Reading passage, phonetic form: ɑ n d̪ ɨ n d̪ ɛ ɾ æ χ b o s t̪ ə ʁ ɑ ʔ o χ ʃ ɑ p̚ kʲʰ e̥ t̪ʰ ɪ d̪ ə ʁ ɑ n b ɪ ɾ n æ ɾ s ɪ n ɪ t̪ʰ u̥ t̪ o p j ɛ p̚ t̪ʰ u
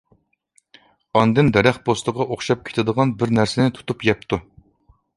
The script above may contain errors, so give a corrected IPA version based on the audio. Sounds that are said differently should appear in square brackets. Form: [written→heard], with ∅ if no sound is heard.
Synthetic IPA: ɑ n d̪ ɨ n d̪ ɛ ɾ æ χ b o s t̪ ə ʁ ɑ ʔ o χ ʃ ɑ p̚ kʲʰ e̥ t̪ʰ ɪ d̪ ə ʁ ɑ n b ɪ ɾ n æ ɾ s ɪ n ɪ t̪ʰ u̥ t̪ [o→u] p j ɛ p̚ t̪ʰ u